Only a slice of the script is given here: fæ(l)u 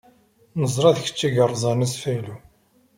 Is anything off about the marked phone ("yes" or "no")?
no